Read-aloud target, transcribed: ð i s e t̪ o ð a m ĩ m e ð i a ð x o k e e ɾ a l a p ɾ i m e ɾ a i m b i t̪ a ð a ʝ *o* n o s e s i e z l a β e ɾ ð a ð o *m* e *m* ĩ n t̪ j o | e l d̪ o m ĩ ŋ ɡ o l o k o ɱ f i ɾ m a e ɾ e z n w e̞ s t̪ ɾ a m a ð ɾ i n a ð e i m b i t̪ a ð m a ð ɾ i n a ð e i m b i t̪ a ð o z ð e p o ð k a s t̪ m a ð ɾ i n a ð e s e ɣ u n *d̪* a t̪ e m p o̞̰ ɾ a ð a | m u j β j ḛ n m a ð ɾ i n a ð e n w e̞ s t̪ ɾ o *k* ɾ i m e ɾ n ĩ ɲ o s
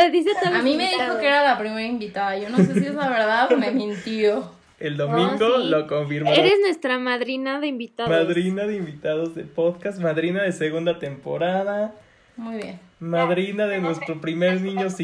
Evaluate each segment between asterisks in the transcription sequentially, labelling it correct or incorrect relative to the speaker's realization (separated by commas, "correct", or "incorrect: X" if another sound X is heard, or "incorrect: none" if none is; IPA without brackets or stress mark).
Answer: correct, correct, correct, correct, incorrect: p